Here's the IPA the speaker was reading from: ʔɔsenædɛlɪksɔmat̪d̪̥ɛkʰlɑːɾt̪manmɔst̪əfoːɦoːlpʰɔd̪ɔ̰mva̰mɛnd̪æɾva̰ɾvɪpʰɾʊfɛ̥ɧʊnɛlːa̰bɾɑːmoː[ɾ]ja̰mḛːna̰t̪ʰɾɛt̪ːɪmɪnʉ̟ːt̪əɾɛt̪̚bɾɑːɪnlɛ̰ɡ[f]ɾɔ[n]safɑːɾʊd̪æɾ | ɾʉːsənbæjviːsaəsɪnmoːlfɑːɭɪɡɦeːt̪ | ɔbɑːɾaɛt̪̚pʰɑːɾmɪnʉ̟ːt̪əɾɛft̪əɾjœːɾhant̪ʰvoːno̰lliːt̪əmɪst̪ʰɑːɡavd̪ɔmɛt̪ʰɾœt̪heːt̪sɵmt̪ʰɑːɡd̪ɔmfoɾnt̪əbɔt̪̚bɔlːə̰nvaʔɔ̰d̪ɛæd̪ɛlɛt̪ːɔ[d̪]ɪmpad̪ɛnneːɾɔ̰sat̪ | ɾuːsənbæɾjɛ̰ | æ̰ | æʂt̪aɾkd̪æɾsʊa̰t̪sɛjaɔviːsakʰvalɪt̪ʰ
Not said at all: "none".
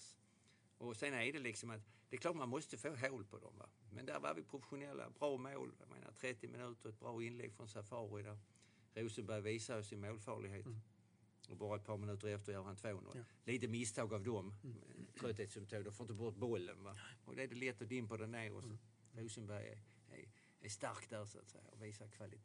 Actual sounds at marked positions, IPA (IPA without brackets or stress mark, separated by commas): l, f, n, d̪